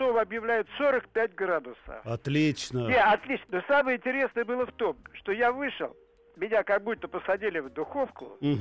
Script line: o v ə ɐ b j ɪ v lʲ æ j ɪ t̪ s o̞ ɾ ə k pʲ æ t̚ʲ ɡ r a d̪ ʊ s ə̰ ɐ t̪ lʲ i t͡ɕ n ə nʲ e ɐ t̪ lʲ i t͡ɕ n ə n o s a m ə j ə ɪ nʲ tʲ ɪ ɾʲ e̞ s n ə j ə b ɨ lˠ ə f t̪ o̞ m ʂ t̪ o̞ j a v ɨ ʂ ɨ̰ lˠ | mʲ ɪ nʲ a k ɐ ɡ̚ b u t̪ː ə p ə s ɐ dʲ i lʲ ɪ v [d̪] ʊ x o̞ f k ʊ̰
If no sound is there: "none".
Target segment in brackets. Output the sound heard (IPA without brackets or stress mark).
d̪